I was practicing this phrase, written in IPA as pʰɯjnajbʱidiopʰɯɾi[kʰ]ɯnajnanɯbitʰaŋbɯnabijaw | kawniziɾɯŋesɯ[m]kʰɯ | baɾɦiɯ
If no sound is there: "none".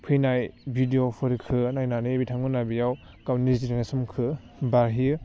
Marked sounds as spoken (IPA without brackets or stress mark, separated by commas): kʰ, m